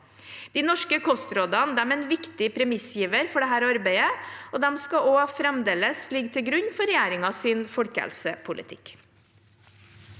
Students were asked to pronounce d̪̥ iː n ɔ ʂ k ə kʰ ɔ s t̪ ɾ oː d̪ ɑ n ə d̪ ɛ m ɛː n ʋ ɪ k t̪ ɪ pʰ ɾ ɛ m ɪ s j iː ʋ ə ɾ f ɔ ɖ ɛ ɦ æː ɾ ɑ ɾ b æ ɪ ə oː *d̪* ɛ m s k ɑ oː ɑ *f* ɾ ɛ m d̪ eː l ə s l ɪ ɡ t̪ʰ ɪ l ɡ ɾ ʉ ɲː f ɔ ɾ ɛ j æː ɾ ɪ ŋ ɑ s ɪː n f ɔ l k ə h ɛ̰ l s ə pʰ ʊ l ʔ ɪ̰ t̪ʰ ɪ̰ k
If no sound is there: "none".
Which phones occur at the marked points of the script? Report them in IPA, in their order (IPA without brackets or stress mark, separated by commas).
d̪, f